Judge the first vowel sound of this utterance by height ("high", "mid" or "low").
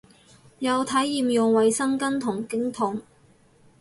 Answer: low